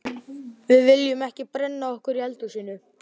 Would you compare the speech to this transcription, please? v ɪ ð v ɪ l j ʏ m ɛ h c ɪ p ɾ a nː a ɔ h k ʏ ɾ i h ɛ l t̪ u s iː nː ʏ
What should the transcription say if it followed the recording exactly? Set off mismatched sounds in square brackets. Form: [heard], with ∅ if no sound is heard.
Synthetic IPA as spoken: v ɪ ð v ɪ l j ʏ m ɛ h c ɪ p ɾ [ɛ] nː a ɔ h k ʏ ɾ i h ɛ l t̪ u s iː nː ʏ